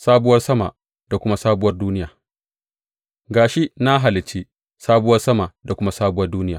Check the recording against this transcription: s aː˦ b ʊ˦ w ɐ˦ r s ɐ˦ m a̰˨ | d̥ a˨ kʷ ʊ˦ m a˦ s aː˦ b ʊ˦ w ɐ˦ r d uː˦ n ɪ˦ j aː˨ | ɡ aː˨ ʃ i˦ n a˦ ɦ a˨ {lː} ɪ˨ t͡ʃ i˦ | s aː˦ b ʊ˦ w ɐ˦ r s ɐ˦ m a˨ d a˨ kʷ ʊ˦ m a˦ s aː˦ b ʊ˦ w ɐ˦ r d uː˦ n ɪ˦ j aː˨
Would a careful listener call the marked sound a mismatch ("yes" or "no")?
yes